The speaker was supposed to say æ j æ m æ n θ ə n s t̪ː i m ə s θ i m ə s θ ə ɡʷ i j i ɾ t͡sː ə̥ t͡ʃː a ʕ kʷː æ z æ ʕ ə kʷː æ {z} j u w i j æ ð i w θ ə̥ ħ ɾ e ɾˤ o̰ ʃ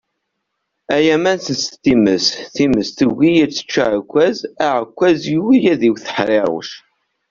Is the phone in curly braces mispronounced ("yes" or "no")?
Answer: no